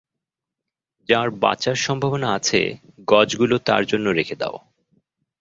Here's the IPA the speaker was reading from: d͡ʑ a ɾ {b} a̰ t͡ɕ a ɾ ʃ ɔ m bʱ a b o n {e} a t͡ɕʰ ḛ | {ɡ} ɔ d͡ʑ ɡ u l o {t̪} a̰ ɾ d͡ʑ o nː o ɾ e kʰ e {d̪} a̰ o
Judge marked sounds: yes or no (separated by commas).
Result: yes, no, yes, yes, yes